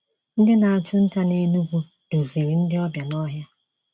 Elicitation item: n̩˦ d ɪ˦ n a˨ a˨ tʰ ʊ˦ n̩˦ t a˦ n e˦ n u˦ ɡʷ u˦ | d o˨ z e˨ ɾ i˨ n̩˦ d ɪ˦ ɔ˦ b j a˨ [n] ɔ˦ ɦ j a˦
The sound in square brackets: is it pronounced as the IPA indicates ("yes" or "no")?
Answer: yes